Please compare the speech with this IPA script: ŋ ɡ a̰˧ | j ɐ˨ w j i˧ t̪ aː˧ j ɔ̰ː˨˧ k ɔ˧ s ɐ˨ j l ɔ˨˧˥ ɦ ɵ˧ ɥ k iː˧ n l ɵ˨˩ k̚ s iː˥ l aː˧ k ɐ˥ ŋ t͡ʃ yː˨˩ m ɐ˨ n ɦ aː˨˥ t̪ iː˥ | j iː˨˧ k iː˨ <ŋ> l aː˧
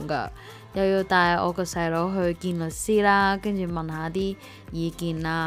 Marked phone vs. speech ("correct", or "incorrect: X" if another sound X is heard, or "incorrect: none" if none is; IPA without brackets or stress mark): incorrect: n